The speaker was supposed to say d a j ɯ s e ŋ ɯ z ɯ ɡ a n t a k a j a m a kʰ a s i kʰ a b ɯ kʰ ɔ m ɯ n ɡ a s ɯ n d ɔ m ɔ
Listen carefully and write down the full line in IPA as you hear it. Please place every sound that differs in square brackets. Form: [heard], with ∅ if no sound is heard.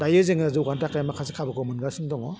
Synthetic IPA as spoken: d a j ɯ [z] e ŋ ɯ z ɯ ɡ a n t a k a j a m a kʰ a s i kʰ a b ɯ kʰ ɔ m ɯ n ɡ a s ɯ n d ɔ [ŋ] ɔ